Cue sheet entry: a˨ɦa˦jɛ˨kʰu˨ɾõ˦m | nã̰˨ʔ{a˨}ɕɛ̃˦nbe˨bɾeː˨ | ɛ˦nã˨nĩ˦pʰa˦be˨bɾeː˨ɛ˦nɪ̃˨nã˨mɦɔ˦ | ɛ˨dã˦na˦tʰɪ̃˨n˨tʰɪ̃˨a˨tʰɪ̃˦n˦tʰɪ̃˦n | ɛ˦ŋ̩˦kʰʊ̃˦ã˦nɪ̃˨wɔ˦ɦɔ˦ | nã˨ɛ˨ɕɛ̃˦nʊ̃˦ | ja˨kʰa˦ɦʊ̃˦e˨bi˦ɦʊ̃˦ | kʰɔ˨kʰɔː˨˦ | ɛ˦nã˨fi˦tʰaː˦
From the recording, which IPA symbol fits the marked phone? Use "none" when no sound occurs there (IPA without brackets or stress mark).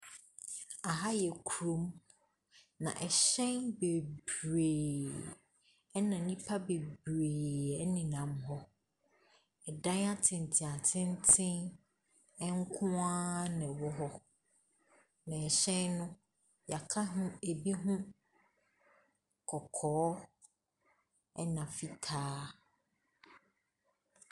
ɛ˨